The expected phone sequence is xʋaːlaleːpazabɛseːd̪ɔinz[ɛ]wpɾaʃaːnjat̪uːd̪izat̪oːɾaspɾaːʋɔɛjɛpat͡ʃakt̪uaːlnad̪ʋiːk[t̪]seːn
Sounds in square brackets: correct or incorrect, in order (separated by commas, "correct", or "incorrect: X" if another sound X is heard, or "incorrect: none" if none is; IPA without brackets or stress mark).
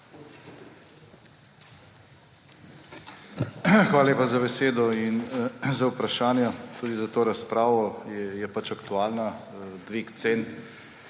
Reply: incorrect: a, correct